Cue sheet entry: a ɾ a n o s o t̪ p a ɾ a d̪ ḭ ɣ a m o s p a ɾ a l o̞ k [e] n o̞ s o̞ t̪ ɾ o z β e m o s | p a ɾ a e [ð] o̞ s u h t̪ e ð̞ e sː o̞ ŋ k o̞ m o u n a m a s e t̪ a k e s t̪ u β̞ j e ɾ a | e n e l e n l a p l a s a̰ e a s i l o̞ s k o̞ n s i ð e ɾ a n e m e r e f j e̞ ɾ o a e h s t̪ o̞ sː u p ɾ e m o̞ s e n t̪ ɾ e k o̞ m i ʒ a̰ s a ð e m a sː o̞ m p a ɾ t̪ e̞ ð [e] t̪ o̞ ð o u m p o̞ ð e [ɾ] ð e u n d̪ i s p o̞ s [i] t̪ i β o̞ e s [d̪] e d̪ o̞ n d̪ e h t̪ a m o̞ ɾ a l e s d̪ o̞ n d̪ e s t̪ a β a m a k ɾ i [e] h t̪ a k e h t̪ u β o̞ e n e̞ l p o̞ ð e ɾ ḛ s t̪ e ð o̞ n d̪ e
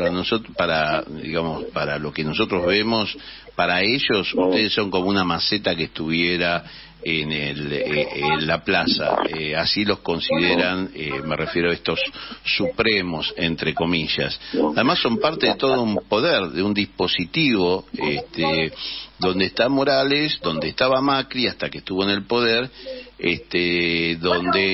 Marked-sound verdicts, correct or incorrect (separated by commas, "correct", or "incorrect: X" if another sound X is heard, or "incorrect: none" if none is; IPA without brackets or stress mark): correct, incorrect: ʒ, correct, correct, correct, incorrect: t̪, incorrect: a